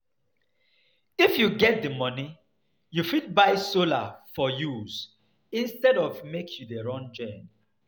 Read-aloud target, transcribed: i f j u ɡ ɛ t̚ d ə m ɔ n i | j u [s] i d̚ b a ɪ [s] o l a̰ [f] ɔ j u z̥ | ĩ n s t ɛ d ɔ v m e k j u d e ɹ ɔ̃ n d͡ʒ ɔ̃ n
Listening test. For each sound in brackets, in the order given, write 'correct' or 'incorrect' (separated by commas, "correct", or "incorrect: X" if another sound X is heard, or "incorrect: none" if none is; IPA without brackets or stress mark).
incorrect: f, correct, correct